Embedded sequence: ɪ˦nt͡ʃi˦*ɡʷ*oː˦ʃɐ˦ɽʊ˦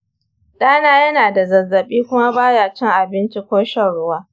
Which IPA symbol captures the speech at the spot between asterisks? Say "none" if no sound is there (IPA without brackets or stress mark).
kʷ